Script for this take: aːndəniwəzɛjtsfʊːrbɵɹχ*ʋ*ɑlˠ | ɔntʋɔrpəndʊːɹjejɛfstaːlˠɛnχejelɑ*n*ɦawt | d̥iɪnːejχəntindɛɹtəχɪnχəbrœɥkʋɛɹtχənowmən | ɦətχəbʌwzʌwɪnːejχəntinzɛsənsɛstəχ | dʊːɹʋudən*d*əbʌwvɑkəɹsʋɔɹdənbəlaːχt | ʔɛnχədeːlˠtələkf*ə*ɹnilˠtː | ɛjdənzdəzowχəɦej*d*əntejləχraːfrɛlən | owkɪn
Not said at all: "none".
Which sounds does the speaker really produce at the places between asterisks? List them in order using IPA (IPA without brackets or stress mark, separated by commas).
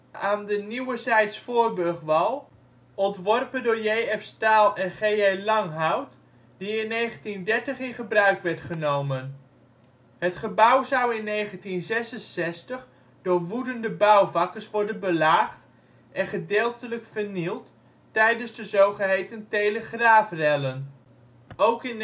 ʋ, ŋ, d, ə, t